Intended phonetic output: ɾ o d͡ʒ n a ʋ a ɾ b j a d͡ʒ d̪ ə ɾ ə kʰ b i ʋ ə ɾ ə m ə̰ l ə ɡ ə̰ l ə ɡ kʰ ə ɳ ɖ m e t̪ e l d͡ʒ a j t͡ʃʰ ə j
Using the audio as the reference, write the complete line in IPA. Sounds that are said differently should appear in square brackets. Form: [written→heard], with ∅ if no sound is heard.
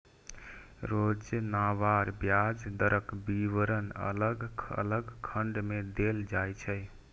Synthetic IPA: ɾ o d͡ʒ n a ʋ a ɾ b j a d͡ʒ d̪ ə ɾ ə [kʰ→k] b i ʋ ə ɾ ə [m→n] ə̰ l ə ɡ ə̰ l ə ɡ kʰ ə ɳ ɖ m e [t̪→d̪] e l d͡ʒ a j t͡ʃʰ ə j